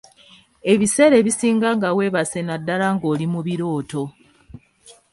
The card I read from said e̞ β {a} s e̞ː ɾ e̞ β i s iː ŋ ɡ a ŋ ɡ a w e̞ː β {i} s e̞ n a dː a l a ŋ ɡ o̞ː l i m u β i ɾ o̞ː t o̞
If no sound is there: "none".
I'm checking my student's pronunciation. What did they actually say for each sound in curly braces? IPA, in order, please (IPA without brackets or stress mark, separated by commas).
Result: i, a